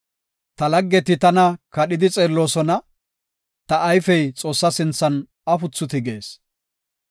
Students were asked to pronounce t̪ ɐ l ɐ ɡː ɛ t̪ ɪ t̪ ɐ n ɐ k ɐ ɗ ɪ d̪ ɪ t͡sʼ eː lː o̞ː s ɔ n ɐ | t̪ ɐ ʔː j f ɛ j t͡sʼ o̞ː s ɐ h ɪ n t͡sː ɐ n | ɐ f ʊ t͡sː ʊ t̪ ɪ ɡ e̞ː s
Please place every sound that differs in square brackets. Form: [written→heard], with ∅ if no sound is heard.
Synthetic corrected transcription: t̪ ɐ l ɐ ɡː ɛ t̪ ɪ t̪ ɐ n ɐ k ɐ ɗ ɪ d̪ ɪ t͡sʼ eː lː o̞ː s ɔ n ɐ | t̪ ɐ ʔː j f ɛ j t͡sʼ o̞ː [s→sː] ɐ [h→s] ɪ n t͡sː ɐ n | ɐ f ʊ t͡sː ʊ t̪ ɪ ɡ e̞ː s